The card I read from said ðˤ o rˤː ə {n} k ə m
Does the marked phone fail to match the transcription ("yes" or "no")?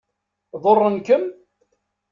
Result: no